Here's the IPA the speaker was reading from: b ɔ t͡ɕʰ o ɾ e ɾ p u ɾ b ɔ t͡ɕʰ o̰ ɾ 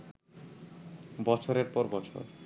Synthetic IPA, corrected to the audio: b ɔ t͡ɕʰ o ɾ e ɾ p ɔ ɾ b ɔ t͡ɕʰ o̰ ɾ